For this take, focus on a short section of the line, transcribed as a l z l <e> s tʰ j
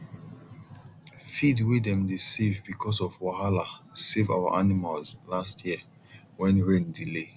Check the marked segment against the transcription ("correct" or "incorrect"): incorrect